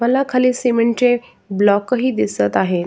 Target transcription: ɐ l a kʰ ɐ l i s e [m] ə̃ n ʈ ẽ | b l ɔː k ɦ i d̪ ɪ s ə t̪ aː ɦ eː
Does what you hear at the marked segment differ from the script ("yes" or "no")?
no